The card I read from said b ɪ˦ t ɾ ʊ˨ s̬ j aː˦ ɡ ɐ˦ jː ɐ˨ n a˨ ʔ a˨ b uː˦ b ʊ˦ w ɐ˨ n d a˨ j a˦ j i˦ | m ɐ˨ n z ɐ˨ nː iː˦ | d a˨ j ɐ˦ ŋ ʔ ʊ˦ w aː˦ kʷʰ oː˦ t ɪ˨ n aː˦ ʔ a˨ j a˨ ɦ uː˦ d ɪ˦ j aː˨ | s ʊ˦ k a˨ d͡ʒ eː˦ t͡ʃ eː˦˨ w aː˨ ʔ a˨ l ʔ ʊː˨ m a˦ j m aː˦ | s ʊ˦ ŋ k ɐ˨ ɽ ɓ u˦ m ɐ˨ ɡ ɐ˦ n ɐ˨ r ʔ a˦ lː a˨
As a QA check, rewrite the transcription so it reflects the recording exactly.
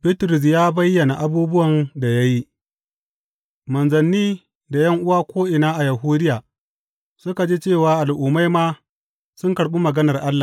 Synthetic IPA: b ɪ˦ t ɾ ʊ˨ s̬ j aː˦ b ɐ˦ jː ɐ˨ n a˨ ʔ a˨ b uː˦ b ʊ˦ w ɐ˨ n d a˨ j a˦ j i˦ | m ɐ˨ n z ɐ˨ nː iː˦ | d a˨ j ɐ˦ ŋ ʔ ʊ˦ w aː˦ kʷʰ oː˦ ʔ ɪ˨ n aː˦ ʔ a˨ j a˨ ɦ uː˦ d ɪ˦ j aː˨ | s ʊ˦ k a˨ d͡ʒ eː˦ t͡ʃ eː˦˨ w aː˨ ʔ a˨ l ʔ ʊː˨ m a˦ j m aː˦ | s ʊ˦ ŋ k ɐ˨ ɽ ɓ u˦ m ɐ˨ ɡ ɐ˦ n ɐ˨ r ʔ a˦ lː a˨